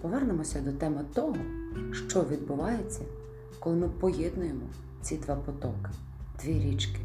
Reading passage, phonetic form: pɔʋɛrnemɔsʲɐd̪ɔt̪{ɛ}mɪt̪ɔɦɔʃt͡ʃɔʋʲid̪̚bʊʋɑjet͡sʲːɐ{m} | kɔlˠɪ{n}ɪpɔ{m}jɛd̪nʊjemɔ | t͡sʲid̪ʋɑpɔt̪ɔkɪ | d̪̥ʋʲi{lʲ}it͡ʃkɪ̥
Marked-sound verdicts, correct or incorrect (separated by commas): correct, incorrect, incorrect, incorrect, incorrect